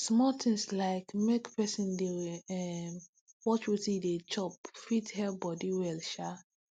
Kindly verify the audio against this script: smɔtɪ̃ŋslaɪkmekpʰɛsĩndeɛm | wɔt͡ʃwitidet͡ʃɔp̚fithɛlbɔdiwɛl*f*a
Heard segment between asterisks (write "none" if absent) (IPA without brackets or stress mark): ʃ